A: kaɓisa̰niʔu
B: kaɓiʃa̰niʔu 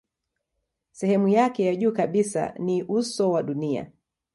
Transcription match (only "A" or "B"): A